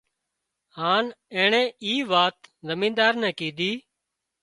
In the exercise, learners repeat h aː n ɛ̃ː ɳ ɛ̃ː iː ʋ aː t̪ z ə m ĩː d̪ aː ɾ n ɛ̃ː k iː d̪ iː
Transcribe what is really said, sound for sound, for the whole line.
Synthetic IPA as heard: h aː n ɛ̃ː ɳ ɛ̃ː iː ʋ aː t̪ z ə m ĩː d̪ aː ɾ n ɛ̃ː k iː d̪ iː